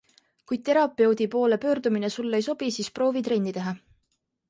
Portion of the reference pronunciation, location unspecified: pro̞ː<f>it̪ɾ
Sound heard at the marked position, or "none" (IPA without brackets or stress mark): v